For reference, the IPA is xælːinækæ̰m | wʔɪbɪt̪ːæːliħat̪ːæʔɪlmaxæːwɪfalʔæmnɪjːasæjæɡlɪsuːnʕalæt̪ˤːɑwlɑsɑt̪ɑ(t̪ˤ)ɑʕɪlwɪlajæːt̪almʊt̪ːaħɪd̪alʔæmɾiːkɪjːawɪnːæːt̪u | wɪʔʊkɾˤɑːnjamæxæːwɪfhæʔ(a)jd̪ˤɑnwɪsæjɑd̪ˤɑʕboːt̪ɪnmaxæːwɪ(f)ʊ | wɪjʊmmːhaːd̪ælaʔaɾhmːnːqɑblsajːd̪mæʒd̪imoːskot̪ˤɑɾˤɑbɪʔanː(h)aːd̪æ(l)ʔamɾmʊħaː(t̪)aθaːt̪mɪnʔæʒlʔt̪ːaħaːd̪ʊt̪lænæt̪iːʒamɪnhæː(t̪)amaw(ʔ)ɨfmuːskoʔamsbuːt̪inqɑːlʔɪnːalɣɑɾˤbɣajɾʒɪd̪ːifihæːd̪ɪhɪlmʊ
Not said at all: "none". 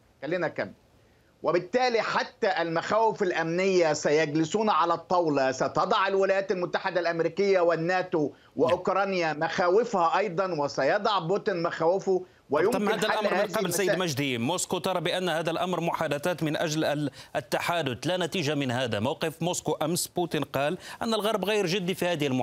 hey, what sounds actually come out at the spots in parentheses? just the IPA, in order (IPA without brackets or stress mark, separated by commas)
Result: d̪ˤ, ɑ, f, h, l, d̪, d̪, q